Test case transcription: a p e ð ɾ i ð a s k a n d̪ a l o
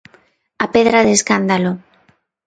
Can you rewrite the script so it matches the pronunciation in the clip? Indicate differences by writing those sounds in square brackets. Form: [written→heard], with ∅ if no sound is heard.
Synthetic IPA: a p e ð ɾ [i→a] ð [a→e] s k a n d̪ a l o